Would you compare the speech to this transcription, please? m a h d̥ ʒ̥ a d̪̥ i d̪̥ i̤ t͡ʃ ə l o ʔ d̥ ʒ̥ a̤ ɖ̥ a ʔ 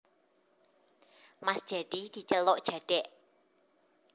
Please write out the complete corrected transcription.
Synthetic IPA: m a s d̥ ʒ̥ a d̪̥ i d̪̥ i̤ t͡ʃ ə l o ʔ d̥ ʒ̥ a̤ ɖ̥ ɛ ʔ